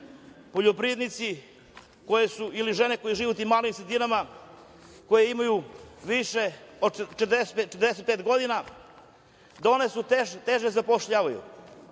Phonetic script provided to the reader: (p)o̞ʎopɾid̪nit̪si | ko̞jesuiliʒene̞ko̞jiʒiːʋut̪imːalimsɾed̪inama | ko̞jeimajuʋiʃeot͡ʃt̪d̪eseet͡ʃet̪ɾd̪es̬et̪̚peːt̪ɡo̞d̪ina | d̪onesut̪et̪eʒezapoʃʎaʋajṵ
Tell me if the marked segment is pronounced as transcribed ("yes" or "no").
yes